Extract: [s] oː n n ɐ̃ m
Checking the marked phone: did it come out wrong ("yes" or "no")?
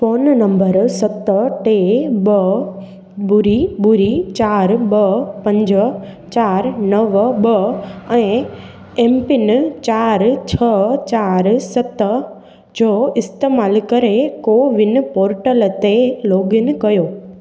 yes